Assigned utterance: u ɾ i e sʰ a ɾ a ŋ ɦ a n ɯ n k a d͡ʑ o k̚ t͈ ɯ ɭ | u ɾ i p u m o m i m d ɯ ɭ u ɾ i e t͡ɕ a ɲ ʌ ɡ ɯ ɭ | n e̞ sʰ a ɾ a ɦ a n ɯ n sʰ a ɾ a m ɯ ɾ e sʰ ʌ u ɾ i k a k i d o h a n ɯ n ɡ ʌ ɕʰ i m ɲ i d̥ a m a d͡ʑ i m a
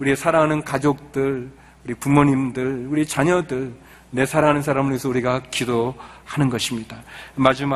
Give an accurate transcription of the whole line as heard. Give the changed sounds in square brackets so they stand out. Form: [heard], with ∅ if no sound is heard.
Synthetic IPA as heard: u ɾ i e sʰ a ɾ a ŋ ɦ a n ɯ n k a d͡ʑ o k̚ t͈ ɯ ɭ | u ɾ i p u m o [ɲ] i m d ɯ ɭ u ɾ i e t͡ɕ a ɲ ʌ [d] ɯ ɭ | n e̞ sʰ a ɾ a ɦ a n ɯ n sʰ a ɾ a m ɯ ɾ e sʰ ʌ u ɾ i [ɡ] a k i d o h a n ɯ n ɡ ʌ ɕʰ i m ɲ i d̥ a m a d͡ʑ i m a